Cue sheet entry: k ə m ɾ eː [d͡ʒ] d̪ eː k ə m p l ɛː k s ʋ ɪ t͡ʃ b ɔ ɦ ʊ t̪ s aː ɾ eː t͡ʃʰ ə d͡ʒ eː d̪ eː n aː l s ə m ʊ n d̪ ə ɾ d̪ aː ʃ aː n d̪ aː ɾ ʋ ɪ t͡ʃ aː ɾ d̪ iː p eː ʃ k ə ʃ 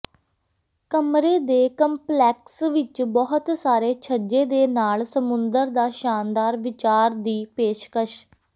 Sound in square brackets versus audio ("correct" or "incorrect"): incorrect